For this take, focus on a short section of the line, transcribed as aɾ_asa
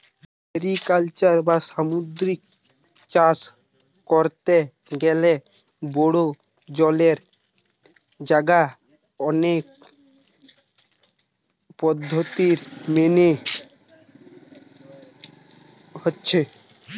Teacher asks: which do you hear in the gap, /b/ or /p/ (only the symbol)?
b